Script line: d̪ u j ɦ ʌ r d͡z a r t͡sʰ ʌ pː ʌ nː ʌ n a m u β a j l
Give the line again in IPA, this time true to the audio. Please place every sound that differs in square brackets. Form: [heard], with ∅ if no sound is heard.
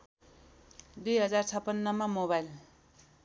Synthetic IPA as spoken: d̪ u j ɦ ʌ [∅] d͡z a r t͡sʰ ʌ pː ʌ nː ʌ [m] a m [o] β a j l